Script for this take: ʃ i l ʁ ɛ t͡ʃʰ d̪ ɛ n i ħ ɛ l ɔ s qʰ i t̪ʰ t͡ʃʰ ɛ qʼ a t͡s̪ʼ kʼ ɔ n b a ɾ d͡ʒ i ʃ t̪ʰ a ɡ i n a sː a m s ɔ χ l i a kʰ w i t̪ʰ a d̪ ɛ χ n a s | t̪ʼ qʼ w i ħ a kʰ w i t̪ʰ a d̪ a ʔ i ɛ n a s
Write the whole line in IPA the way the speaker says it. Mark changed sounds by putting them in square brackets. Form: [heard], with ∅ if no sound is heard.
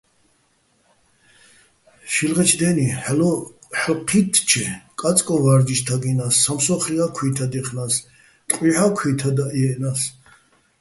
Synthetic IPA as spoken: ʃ i l ʁ ɛ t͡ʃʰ d̪ ɛ n i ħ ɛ l ɔ [ħ] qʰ i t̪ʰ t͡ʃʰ ɛ [kʼ] a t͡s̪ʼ kʼ ɔ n [v] a ɾ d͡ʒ i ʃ t̪ʰ a ɡ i n a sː a m s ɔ χ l i a kʰ w i t̪ʰ a d̪ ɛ χ n a s | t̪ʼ qʼ w i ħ a kʰ w i t̪ʰ a d̪ a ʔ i ɛ n a s